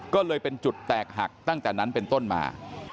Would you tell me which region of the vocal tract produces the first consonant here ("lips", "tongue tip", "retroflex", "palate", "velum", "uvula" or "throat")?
velum